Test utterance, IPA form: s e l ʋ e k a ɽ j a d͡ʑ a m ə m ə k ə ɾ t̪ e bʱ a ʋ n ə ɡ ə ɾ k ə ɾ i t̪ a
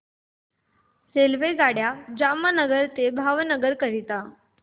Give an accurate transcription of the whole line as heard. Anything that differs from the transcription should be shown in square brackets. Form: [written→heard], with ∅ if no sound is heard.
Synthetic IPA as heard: s e l ʋ e [k→ɡ] a ɽ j a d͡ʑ a m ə [m→n] ə [k→ɡ] ə ɾ t̪ e bʱ a ʋ n ə ɡ ə ɾ k ə ɾ i t̪ a

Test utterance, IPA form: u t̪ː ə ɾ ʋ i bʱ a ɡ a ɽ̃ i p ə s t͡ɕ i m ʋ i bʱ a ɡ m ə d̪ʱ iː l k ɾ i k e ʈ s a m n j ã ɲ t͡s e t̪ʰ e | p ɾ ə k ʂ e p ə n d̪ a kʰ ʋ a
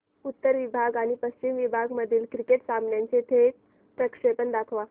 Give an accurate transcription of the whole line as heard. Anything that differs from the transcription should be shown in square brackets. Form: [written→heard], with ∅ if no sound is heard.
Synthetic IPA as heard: u t̪ː ə ɾ ʋ i bʱ a ɡ a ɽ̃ i p ə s t͡ɕ i m ʋ i bʱ a ɡ m ə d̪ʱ iː l k ɾ i k e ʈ s a m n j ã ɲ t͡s e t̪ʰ e | p ɾ ə k ʂ e p ə n d̪ a kʰ ʋ a

